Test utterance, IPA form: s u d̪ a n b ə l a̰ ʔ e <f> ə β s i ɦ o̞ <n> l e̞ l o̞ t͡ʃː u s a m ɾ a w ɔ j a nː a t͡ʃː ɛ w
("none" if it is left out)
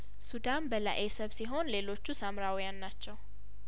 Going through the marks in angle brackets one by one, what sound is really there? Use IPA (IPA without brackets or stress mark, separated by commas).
s, n